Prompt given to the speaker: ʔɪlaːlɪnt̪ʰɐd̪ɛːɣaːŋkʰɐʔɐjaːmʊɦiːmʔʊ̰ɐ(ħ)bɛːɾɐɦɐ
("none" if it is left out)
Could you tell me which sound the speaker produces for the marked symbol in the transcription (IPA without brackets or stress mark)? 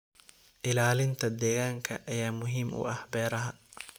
h